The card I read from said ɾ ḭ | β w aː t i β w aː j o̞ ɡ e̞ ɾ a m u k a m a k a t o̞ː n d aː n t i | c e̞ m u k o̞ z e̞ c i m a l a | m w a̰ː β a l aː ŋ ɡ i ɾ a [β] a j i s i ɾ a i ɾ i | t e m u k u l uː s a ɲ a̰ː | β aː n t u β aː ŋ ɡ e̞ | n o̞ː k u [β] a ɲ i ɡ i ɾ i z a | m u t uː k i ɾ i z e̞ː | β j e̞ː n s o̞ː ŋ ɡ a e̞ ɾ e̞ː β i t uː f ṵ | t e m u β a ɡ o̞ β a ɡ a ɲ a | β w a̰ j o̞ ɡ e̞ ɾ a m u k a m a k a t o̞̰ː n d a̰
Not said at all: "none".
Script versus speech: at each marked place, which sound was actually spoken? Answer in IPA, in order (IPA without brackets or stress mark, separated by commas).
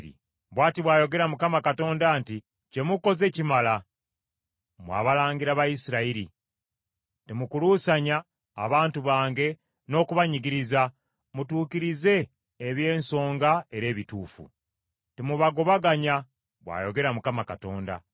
β, β